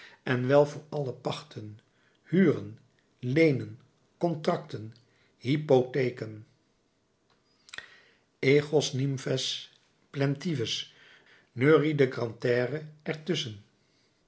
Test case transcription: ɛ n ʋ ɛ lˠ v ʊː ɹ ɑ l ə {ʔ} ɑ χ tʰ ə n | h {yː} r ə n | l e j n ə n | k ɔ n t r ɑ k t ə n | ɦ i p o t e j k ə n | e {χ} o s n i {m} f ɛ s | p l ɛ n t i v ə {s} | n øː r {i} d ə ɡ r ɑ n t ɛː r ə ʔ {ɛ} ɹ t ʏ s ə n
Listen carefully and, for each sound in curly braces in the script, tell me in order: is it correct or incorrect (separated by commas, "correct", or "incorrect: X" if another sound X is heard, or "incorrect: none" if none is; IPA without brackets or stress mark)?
incorrect: p, correct, correct, correct, correct, correct, correct